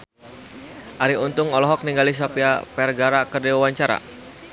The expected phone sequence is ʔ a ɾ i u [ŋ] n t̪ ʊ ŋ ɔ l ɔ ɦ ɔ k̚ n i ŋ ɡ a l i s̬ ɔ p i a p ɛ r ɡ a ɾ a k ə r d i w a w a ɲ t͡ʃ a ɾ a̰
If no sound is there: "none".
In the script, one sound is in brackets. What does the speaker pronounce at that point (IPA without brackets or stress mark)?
none